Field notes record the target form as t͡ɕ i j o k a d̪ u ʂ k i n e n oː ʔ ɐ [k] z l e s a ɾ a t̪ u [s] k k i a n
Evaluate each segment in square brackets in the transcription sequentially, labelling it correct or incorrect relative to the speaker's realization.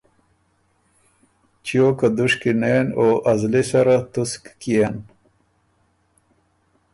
incorrect: none, correct

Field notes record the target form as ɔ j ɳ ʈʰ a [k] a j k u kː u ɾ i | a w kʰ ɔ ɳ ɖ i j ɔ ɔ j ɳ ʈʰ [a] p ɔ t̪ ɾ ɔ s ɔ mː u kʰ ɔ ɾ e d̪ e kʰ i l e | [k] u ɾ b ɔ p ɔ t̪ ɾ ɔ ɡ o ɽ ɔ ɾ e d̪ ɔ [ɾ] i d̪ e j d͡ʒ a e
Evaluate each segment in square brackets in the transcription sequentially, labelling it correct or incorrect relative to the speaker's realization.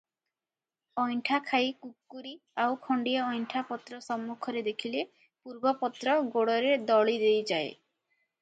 incorrect: kʰ, correct, incorrect: p, incorrect: ɭ

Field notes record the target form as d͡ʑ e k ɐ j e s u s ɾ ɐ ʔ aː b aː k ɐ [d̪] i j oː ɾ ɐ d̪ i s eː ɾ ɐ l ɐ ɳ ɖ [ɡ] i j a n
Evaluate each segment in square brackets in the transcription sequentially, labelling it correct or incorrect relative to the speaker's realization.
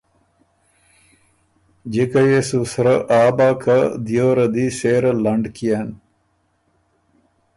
correct, incorrect: k

